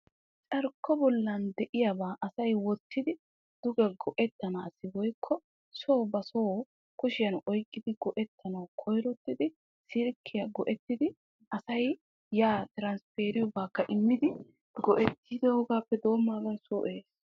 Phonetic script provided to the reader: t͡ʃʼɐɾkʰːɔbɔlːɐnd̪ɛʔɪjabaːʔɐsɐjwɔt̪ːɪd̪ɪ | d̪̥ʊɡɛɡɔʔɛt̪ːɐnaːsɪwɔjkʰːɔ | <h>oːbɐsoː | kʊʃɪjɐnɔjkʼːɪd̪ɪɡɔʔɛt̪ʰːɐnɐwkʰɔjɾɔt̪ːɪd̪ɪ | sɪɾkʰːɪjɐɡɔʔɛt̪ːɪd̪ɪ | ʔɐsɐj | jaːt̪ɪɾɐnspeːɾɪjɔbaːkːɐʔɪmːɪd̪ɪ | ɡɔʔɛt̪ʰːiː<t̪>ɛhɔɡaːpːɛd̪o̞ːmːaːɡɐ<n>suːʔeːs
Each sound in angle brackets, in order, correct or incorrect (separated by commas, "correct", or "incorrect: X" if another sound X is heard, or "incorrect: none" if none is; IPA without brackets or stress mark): incorrect: s, incorrect: d̪, correct